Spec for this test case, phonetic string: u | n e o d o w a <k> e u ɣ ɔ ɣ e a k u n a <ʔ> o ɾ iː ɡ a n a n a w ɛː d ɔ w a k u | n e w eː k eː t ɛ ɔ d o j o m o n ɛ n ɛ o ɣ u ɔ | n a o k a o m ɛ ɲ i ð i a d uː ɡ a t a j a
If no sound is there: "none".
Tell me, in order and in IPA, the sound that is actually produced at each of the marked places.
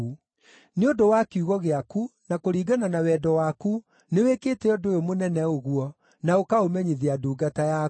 k, k

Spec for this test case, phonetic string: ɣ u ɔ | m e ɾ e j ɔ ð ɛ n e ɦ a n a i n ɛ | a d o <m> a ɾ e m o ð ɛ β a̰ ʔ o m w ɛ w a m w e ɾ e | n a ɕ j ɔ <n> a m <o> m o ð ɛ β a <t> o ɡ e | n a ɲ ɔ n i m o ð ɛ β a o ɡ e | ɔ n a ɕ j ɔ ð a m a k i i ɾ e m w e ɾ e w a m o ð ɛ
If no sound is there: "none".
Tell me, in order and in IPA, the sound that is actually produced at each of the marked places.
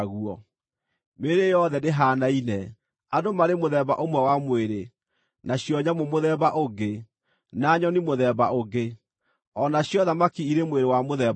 m, ɲ, o, ʔ

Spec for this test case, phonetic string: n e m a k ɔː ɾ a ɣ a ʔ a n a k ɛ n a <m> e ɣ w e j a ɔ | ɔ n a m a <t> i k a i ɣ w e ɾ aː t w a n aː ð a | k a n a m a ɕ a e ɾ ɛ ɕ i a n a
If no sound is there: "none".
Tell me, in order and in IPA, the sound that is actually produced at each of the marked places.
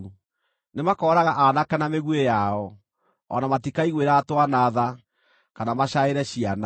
m, t

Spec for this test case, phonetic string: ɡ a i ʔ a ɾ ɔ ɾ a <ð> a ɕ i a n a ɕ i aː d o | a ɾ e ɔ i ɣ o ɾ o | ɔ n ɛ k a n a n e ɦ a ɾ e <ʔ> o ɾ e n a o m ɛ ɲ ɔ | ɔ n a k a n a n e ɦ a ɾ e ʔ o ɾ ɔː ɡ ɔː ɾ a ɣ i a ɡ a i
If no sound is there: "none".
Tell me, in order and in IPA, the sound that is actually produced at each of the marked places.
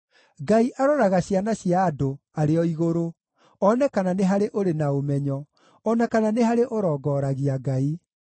ɣ, ʔ

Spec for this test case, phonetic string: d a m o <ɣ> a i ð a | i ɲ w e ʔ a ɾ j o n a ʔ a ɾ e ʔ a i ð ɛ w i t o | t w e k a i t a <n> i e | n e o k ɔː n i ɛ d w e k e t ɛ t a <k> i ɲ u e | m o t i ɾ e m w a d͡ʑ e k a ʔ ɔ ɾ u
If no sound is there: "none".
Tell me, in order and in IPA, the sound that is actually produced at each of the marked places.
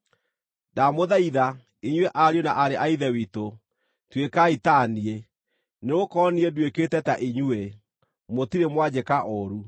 ð, n, ʔ

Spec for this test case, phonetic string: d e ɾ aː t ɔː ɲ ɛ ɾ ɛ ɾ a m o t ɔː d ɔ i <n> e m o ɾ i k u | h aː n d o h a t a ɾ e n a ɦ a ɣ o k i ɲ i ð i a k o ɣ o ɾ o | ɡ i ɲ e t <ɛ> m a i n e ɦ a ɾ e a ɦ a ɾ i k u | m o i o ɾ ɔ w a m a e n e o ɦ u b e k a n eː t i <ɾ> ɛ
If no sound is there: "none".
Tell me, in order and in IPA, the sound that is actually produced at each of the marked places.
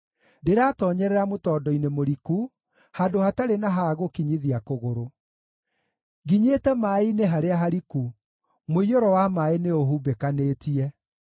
n, ɛ, none

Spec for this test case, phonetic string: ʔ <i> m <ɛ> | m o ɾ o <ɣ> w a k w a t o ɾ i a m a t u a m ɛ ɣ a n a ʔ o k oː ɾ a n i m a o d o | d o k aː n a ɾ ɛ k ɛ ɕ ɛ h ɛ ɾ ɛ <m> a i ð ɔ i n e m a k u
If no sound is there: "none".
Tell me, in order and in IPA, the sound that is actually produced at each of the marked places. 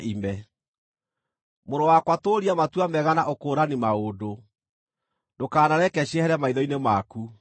i, ɛ, none, m

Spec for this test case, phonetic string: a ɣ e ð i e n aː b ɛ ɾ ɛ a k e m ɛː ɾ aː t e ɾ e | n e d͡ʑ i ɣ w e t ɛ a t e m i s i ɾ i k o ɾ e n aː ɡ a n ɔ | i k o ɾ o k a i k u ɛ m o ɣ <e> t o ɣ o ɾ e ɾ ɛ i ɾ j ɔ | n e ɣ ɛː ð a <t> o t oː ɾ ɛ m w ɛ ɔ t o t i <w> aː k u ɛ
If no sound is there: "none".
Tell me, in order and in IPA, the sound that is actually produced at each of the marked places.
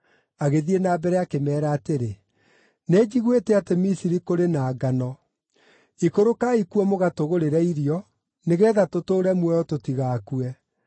a, t, ɣ

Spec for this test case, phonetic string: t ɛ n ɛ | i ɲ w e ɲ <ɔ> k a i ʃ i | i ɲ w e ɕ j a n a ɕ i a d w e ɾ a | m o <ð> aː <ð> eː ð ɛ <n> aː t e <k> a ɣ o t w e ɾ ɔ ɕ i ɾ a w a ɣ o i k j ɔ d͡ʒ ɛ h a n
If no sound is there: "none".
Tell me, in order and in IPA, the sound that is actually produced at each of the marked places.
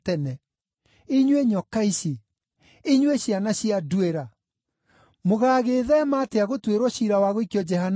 ɔ, ɣ, ɣ, m, none

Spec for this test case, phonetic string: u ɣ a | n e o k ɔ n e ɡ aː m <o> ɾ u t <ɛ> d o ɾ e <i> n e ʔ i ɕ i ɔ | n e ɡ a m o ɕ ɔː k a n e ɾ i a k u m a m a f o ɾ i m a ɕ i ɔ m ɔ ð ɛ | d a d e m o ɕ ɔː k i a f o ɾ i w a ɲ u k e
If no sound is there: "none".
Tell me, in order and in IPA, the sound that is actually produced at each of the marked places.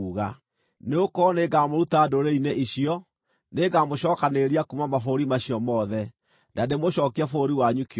o, a, i

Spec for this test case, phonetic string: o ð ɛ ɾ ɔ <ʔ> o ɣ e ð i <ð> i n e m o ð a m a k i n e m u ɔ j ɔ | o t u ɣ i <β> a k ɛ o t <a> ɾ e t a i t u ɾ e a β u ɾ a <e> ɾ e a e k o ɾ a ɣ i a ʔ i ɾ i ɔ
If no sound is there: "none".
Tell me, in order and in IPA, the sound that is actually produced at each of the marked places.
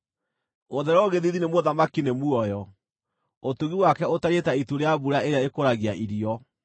none, ð, w, a, e

